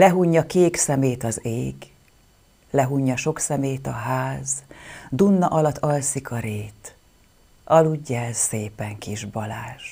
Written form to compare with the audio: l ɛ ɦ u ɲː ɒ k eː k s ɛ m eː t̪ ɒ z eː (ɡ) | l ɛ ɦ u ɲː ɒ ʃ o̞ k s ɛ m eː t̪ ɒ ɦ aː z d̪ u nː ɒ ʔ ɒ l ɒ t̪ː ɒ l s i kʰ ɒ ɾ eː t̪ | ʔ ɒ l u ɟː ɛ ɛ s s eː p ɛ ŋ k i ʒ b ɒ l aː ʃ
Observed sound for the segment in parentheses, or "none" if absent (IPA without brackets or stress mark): ɡ